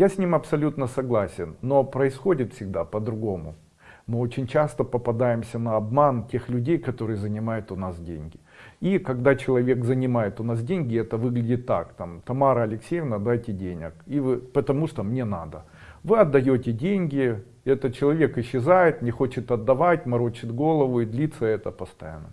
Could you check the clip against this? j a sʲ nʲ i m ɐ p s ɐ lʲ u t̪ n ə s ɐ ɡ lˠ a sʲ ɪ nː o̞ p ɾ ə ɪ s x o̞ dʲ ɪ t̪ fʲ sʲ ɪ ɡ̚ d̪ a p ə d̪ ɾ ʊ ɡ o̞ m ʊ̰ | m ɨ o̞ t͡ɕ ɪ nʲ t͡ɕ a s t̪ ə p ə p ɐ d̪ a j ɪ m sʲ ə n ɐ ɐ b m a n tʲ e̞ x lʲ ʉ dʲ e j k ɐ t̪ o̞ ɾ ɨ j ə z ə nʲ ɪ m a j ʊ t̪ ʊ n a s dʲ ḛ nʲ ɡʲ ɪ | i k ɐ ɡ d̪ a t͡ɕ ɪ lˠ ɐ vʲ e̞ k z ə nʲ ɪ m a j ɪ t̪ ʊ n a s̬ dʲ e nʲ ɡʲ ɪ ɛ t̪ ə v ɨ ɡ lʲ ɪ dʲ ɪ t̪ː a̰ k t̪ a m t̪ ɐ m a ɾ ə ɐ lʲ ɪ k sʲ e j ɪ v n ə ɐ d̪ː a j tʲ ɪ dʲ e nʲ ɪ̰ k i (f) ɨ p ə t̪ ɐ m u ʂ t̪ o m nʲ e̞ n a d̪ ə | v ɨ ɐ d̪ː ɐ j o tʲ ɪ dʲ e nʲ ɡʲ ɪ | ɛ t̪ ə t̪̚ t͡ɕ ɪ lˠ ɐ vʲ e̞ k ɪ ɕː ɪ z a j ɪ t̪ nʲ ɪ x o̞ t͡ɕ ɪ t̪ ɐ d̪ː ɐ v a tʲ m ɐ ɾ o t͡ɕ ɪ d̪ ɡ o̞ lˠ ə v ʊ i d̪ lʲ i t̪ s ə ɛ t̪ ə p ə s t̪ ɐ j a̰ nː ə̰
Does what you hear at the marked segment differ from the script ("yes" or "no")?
yes